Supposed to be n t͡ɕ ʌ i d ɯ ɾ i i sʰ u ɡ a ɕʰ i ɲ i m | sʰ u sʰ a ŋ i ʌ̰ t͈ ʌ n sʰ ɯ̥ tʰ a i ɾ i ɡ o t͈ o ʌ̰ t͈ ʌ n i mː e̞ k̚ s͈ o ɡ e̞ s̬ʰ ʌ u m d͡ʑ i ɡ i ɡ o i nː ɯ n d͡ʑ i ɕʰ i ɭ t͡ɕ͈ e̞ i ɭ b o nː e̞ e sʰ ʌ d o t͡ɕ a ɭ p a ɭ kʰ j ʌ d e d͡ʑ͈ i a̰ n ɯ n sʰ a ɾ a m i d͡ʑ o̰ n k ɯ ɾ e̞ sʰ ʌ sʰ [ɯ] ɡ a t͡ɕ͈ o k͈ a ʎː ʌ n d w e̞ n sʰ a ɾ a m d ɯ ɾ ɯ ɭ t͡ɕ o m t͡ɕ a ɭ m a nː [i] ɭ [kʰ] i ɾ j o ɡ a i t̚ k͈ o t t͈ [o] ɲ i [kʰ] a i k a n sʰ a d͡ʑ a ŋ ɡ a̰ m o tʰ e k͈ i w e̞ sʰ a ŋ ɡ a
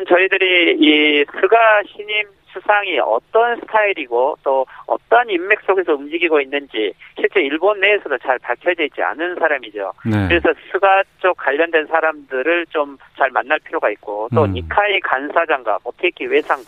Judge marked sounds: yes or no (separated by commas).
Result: no, no, no, yes, yes